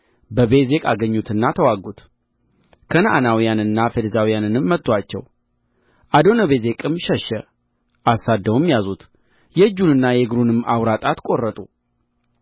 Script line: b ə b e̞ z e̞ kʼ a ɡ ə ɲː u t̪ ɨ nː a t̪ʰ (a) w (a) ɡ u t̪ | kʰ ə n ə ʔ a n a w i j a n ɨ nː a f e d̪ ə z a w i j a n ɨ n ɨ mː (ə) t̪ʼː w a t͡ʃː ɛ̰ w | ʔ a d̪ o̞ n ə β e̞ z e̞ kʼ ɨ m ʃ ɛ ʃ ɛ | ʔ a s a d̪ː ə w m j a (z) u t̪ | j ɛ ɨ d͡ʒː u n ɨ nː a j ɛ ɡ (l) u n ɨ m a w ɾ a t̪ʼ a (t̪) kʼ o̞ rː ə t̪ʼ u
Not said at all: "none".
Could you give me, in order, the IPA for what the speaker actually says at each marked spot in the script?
ə, a, ə, z, ɾ, t̪

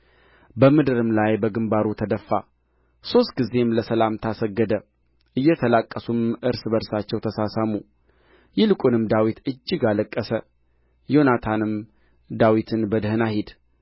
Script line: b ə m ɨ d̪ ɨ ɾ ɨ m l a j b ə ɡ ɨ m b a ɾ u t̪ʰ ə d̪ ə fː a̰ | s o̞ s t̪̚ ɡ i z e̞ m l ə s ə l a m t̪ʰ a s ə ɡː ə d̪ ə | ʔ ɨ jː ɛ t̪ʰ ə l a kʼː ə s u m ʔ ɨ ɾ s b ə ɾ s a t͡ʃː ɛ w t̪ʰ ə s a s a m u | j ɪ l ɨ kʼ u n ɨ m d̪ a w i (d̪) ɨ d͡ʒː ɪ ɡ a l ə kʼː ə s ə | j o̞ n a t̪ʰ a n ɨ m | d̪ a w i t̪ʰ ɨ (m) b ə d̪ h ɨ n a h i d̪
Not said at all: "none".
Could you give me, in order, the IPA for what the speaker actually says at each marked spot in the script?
t̪, n

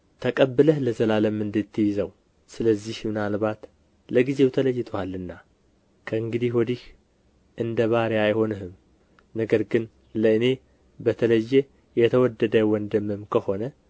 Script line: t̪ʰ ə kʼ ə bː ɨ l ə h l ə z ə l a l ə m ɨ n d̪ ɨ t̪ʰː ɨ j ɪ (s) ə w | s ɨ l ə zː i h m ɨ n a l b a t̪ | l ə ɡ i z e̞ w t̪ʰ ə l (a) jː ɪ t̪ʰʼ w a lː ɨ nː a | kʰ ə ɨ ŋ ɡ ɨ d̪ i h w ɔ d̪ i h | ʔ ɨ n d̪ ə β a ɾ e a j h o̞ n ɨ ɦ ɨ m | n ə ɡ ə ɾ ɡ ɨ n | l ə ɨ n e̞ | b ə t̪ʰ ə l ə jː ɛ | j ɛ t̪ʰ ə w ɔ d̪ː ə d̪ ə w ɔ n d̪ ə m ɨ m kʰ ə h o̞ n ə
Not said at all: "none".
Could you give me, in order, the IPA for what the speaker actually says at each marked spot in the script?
z, ə

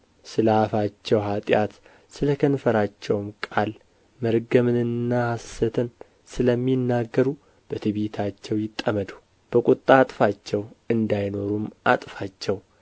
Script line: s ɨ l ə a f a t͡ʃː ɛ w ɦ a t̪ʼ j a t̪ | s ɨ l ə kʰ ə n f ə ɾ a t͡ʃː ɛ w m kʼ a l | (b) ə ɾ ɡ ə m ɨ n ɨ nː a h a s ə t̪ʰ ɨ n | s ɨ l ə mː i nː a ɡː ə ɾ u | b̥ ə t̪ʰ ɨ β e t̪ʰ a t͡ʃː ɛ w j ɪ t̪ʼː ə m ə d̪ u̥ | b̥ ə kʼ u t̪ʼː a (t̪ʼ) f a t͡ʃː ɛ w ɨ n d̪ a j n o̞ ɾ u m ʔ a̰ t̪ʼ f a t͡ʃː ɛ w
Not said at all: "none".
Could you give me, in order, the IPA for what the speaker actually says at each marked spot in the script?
m, t̪ʼ

